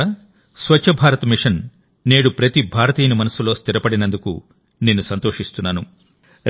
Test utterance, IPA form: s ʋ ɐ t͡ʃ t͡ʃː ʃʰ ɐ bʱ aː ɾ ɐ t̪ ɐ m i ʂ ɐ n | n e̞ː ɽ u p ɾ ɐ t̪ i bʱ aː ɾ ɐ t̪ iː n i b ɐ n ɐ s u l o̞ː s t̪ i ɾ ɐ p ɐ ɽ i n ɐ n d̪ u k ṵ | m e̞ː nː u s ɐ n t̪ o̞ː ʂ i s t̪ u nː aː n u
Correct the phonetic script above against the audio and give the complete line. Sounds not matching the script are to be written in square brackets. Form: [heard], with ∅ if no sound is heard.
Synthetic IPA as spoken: s ʋ ɐ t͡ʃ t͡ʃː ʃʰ ɐ bʱ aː ɾ ɐ t̪ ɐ m i ʂ ɐ n | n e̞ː ɽ u p ɾ ɐ t̪ i bʱ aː ɾ ɐ t̪ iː n i [m] ɐ n ɐ s u l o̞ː s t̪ i ɾ ɐ p ɐ ɽ i n ɐ n d̪ u k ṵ | [n] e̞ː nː u s ɐ n t̪ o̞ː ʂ i s t̪ u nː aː n u